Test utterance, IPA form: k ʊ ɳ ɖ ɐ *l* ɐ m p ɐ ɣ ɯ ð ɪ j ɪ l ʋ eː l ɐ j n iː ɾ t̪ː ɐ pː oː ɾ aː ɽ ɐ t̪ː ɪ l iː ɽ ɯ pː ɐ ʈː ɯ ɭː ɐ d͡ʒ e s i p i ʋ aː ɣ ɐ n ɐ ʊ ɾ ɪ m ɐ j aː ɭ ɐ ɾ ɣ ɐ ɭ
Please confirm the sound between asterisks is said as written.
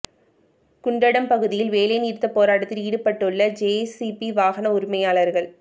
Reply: no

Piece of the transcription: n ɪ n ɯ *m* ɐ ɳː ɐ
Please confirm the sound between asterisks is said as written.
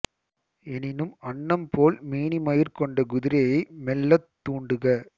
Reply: yes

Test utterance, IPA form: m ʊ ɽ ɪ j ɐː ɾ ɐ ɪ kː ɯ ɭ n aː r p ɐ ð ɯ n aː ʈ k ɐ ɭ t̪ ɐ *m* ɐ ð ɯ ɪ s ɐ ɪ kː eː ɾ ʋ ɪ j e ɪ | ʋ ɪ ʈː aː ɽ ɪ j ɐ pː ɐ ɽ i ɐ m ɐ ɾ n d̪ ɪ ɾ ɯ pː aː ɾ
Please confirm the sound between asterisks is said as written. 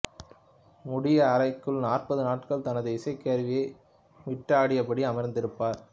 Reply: no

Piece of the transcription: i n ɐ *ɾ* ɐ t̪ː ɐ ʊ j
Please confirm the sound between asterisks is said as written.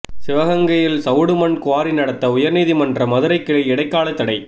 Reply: no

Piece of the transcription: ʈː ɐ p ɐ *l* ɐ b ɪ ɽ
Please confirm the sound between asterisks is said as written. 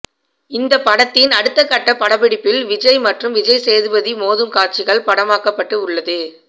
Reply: no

